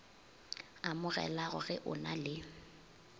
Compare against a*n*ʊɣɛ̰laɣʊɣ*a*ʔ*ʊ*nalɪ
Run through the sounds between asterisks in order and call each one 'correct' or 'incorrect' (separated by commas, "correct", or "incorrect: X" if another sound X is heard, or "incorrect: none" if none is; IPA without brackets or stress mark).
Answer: incorrect: m, incorrect: ɛ, correct